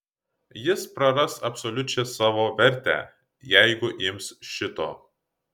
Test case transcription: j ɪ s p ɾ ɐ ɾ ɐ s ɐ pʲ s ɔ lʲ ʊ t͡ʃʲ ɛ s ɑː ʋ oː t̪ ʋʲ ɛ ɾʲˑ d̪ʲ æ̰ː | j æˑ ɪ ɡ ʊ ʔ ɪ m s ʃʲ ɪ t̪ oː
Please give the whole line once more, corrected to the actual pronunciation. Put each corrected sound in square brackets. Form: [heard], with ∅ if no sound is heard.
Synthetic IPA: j ɪ s p ɾ ɐ ɾ ɐ s ɐ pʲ s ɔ lʲ ʊ t͡ʃʲ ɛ s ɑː ʋ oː [∅] ʋʲ ɛ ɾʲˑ [t̪ʲ] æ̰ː | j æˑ ɪ ɡ ʊ ʔ ɪ m s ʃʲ ɪ t̪ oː